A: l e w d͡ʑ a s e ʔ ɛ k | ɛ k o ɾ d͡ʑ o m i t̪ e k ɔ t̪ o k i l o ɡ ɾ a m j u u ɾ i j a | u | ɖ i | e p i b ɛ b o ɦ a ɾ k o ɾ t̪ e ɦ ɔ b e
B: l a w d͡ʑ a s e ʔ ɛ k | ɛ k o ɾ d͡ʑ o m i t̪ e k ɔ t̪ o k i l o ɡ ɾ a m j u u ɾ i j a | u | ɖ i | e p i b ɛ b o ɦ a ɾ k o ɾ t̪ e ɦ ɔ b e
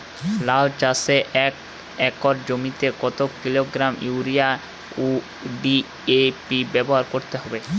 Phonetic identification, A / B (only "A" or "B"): B